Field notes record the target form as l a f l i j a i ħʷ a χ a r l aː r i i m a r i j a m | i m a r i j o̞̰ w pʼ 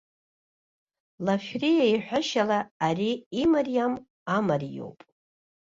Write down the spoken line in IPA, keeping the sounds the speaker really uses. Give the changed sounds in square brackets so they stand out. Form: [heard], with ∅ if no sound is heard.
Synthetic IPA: l a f [r] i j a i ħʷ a [ʃ] a [∅] l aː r i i m a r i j a m | [a] m a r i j o̞̰ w pʼ